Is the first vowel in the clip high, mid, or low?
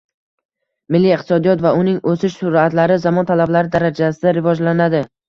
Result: high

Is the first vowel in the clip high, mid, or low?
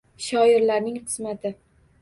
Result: low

